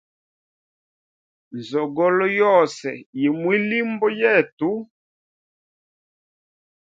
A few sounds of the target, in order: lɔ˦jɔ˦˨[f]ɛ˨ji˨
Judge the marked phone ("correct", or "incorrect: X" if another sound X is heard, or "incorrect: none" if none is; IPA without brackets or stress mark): incorrect: s